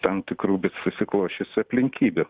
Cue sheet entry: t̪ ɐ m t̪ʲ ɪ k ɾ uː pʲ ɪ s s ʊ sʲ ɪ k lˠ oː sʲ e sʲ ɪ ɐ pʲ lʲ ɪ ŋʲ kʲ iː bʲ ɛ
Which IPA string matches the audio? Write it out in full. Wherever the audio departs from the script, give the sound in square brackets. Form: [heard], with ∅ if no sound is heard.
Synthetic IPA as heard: t̪ ɐ m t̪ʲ ɪ k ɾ uː [bʲ] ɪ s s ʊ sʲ ɪ k lˠ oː [ʃʲ] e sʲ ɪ ɐ pʲ lʲ ɪ ŋʲ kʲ iː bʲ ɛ